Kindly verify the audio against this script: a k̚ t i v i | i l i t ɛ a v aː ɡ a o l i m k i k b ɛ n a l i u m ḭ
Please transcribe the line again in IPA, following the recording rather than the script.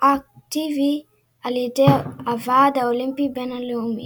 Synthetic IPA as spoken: a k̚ t i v i | a l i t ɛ a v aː d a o l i m p i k b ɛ n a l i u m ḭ